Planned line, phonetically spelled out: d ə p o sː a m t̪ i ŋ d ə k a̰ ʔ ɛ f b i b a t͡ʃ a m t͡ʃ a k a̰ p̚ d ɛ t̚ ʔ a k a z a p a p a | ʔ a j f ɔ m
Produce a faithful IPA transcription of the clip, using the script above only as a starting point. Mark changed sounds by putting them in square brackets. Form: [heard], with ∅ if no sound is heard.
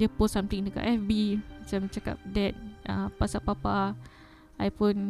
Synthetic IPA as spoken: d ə p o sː a m t̪ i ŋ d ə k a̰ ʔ ɛ f b i [m] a t͡ʃ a m t͡ʃ a k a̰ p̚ d ɛ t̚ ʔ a [p] a [s] a p a p a | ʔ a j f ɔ [n]